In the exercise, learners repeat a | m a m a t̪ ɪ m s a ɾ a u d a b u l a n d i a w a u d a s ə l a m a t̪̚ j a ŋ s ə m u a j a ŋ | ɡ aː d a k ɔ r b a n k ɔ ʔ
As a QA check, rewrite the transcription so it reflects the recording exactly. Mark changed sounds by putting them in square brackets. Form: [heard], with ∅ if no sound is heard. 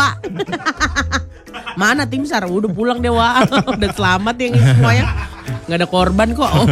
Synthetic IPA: a | m a [n] a t̪ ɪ m s a ɾ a u d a [p] u l a [ŋ] d i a w a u d a s ə l a m a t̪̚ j a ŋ s ə m u a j a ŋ | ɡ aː d a k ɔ r b a n k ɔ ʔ